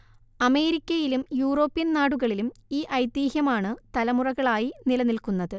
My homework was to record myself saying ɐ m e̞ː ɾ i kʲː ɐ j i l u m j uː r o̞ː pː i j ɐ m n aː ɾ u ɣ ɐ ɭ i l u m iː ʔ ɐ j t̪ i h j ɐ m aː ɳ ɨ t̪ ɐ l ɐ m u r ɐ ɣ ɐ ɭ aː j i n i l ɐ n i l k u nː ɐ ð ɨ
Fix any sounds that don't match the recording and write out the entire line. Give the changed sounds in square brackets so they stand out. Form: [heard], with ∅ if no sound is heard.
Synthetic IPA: ɐ m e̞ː ɾ i kʲː ɐ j i l u m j uː r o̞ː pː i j ɐ [n] n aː [ɽ] u ɣ ɐ ɭ i l u m iː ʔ ɐ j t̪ [iː] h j ɐ m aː ɳ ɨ t̪ ɐ l ɐ m u r ɐ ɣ ɐ ɭ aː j i n i l ɐ n i l k u nː ɐ ð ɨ